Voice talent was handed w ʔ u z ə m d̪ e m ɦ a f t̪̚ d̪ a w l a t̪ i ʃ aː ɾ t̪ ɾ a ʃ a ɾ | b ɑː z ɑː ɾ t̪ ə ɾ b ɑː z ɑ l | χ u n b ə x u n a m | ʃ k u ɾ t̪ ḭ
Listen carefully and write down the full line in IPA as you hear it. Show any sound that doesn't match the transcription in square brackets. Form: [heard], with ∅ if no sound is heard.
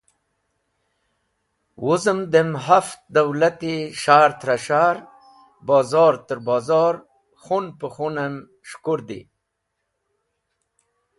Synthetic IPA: w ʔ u z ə m d̪ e m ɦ a f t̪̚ d̪ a w l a t̪ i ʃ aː ɾ t̪ ɾ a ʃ a ɾ | b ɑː z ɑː ɾ t̪ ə ɾ b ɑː z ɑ [ɾ] | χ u n [p] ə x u n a m | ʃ k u ɾ [d̪] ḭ